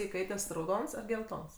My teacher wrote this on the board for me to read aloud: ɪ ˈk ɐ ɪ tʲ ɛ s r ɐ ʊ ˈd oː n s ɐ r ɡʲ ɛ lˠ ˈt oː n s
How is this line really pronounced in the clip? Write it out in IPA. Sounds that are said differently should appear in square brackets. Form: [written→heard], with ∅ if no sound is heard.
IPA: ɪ ˈk ɐ ɪ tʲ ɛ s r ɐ ʊ ˈd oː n s ɐ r ɡʲ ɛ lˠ ˈt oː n s